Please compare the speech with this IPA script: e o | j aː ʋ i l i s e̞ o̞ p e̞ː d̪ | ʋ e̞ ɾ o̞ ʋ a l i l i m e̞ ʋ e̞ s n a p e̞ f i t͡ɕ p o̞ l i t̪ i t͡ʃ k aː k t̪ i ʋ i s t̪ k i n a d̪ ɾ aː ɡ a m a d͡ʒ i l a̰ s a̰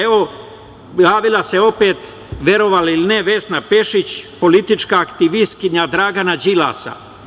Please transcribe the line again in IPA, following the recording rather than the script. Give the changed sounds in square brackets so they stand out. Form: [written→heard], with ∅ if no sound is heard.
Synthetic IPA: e o | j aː ʋ i l [i→a] s e̞ o̞ p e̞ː [d̪→t̪] | ʋ e̞ ɾ o̞ ʋ a l i l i [m→n] e̞ ʋ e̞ s n a p e̞ [f→ʃ] i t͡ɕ p o̞ l i t̪ i t͡ʃ k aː k t̪ i ʋ i s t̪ k i [n→ɲ] a d̪ ɾ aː ɡ a [m→n] a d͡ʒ i l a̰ s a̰